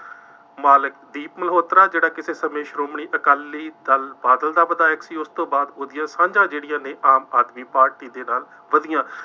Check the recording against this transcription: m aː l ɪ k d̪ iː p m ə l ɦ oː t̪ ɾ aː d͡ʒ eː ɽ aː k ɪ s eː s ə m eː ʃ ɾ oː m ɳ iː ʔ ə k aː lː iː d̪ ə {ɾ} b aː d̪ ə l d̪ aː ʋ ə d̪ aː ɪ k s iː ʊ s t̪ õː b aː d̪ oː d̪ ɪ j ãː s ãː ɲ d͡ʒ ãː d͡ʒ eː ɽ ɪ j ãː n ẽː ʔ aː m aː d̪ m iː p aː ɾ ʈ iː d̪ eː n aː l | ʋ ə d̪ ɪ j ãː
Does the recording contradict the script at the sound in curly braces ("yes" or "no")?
yes